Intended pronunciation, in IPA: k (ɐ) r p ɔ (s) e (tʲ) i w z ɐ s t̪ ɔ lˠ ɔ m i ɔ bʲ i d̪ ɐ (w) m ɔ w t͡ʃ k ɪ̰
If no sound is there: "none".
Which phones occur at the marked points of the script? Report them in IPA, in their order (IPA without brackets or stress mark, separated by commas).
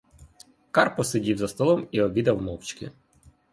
ɑ, s, dʲ, w